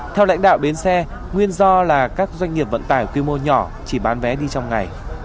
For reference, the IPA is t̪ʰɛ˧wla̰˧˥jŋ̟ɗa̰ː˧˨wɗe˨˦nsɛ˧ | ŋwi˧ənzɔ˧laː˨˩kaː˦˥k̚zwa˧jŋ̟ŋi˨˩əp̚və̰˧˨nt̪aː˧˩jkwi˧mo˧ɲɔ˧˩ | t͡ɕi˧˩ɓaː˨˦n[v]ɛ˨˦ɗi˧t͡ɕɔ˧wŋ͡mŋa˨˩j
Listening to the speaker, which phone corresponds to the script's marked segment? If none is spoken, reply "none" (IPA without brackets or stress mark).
v